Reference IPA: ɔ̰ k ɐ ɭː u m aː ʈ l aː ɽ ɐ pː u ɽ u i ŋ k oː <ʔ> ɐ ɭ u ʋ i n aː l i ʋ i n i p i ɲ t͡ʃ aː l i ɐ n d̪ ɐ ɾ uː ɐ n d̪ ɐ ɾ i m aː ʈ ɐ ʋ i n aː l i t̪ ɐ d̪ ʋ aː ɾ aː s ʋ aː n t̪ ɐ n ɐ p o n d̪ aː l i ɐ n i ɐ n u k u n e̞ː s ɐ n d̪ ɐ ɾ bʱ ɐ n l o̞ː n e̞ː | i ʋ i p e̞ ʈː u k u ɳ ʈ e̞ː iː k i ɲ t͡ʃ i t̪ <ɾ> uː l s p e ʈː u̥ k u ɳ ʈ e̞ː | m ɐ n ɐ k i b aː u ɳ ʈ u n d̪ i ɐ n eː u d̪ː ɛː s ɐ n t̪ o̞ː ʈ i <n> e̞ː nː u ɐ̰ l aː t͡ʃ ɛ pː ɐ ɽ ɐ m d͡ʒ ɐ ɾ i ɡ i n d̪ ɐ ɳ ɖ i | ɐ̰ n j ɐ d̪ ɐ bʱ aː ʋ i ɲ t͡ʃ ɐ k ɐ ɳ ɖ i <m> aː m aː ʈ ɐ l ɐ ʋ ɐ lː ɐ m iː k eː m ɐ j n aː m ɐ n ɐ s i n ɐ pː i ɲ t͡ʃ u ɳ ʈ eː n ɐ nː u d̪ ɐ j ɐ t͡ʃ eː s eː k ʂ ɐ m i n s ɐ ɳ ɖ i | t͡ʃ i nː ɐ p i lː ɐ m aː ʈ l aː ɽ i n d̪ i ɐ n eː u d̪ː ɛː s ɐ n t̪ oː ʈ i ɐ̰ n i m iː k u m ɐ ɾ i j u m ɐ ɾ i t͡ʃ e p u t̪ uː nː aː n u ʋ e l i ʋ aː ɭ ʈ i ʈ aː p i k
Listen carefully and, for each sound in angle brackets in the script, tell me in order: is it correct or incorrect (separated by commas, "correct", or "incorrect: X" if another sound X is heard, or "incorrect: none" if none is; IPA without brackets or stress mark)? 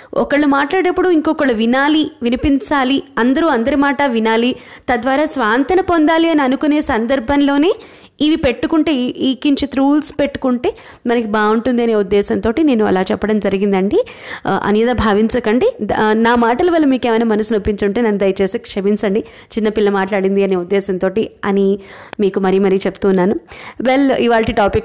incorrect: k, correct, correct, incorrect: n